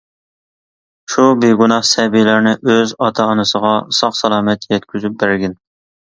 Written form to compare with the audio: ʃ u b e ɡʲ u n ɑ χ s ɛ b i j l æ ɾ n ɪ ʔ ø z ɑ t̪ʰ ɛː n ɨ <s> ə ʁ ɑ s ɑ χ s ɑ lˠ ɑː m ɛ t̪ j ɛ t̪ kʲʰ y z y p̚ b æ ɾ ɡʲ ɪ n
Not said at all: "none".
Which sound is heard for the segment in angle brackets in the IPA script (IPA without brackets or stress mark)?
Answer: s